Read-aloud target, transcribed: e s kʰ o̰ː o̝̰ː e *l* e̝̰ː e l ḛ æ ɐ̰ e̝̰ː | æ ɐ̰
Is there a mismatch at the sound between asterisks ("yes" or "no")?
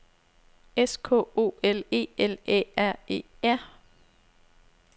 no